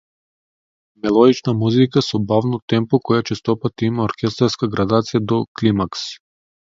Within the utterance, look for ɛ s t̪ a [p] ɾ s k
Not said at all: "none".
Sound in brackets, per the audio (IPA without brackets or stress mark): none